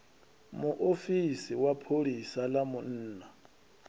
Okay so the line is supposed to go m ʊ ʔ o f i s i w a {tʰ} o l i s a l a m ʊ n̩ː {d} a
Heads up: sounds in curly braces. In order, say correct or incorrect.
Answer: incorrect: pʰ, incorrect: n

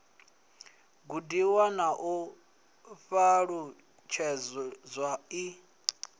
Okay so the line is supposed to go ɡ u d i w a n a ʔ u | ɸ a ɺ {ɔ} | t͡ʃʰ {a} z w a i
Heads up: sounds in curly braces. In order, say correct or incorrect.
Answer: incorrect: u, incorrect: ɛ

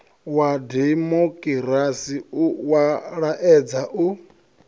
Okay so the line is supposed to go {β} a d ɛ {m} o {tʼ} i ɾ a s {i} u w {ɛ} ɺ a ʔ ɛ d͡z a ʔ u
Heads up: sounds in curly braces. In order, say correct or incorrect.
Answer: incorrect: w, correct, incorrect: kʼ, correct, incorrect: a

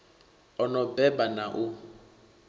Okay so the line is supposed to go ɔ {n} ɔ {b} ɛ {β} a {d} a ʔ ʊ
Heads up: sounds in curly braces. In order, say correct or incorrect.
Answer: correct, correct, incorrect: b, incorrect: n

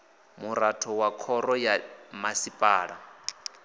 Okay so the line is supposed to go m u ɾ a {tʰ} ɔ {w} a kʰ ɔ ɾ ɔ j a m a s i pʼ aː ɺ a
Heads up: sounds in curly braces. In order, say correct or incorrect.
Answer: correct, correct

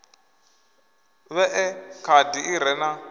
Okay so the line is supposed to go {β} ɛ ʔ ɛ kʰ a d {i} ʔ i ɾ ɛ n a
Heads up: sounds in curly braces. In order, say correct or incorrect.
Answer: correct, correct

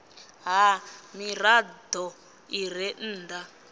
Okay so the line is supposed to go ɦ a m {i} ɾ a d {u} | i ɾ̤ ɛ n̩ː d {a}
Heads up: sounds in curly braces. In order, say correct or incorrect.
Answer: correct, incorrect: ɔ, correct

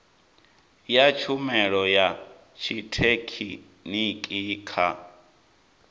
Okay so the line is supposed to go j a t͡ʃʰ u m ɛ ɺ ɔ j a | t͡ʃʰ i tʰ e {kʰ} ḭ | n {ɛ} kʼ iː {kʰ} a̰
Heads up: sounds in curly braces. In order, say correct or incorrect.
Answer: correct, incorrect: i, correct

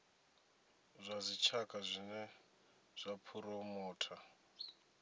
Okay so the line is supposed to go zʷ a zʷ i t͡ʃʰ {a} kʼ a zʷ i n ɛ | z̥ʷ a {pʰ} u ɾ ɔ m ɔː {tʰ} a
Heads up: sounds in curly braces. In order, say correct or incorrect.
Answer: correct, correct, correct

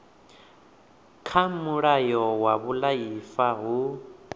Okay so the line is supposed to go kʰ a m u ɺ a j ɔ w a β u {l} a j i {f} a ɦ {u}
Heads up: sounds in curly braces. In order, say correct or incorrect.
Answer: correct, correct, correct

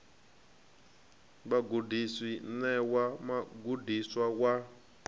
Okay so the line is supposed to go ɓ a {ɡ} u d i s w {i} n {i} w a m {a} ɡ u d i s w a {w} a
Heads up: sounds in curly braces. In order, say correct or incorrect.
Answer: correct, correct, incorrect: ɛ, correct, correct

